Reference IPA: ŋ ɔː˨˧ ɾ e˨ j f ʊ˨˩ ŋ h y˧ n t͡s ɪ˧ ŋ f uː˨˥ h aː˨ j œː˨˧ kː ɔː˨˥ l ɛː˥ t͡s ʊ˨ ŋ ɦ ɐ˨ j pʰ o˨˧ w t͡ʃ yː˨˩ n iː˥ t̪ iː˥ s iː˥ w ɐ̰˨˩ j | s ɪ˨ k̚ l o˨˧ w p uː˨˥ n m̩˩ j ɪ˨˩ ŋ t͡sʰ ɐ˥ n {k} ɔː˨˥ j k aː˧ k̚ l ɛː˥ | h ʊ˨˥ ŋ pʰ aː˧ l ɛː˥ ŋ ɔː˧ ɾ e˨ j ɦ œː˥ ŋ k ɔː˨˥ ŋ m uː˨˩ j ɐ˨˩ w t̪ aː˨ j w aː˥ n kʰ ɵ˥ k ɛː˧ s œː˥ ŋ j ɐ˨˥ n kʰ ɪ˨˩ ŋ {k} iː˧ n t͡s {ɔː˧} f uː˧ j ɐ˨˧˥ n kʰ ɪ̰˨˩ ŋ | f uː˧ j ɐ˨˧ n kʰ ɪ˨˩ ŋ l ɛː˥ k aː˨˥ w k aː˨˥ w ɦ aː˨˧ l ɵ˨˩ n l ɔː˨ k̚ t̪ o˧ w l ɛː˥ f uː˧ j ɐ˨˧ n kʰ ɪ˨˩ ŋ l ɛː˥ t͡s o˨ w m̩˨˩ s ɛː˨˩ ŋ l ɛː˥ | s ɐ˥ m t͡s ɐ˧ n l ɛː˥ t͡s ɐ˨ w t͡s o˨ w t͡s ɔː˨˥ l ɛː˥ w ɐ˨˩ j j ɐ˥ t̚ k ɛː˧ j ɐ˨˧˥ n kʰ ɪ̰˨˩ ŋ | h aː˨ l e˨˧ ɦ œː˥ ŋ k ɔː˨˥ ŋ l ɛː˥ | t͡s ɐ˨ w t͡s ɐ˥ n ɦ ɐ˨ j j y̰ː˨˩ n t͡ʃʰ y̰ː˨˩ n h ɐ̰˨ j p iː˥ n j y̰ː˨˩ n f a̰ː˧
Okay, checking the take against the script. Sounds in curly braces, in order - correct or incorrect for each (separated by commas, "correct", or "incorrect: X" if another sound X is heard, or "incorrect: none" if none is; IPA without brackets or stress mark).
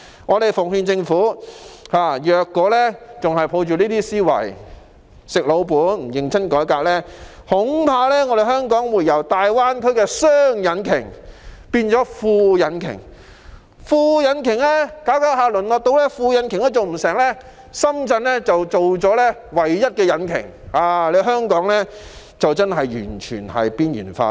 correct, incorrect: p, incorrect: ɔː˨˥